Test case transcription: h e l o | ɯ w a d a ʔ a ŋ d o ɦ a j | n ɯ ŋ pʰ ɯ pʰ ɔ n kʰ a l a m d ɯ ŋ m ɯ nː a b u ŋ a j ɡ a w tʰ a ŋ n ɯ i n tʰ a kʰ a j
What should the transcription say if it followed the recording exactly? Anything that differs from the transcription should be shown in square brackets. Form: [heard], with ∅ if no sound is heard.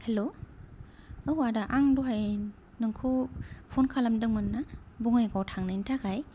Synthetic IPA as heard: h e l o | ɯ w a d a ʔ a ŋ d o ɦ a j | n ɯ ŋ [kʰ] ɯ pʰ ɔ n kʰ a l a m d ɯ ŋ m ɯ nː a b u ŋ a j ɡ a w tʰ a ŋ n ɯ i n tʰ a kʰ a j